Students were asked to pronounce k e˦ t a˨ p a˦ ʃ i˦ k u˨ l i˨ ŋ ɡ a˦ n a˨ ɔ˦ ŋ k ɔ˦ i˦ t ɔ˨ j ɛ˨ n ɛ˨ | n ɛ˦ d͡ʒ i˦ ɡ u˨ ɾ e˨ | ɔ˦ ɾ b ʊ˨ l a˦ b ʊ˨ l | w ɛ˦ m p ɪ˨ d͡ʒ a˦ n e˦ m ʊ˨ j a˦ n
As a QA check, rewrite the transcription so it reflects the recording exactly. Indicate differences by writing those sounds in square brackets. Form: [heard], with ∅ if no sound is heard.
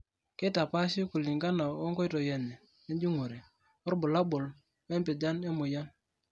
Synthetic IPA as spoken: k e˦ t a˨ p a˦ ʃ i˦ k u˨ l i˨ ŋ ɡ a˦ n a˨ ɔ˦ ŋ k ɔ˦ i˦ t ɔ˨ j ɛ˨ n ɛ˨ | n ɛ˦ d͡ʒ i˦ [ŋ] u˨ ɾ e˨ | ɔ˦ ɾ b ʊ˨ l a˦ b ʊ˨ l | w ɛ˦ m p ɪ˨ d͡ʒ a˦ n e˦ m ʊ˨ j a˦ n